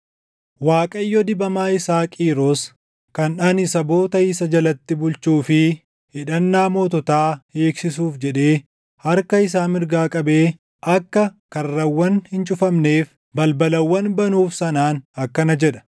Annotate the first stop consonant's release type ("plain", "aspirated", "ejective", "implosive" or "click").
ejective